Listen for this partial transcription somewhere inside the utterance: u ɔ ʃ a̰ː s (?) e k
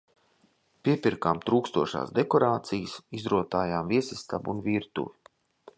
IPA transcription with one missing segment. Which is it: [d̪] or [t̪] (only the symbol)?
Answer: d̪